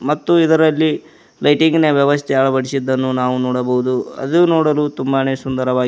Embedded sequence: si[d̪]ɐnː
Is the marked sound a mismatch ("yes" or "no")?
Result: yes